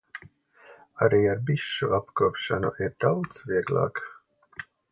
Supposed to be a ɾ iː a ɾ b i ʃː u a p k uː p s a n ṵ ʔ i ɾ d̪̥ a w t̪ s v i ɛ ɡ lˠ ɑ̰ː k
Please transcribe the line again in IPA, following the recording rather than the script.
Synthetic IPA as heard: a ɾ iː a ɾ b i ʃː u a p k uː p ʃ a n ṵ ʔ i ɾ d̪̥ a w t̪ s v i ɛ ɡ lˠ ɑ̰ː k